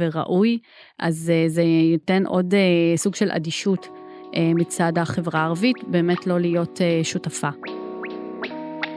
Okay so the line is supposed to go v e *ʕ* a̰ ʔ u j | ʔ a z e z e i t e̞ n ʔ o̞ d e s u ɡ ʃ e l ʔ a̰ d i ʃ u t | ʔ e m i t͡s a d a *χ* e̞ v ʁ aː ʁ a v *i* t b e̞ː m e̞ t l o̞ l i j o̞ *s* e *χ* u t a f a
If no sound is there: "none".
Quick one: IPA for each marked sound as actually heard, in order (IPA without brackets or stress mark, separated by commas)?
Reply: ʁ, χ, i, t, ʃ